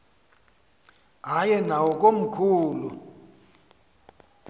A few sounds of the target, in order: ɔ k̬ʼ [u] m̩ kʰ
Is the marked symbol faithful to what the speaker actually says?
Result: no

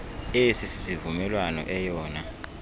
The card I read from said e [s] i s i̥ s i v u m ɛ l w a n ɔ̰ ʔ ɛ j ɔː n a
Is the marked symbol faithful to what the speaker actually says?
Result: yes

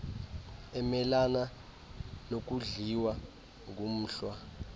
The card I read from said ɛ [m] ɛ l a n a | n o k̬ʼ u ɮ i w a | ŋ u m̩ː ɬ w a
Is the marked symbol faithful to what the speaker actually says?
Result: yes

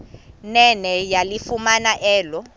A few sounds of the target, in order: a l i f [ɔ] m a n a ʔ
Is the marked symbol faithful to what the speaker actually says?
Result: no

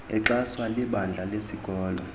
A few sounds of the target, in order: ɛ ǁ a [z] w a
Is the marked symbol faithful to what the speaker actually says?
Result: no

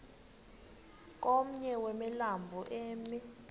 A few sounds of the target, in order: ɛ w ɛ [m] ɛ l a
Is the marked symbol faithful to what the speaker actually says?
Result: yes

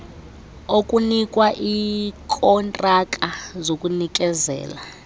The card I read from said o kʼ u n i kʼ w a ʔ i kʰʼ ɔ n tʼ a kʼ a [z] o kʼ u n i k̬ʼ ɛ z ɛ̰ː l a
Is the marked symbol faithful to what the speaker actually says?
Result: yes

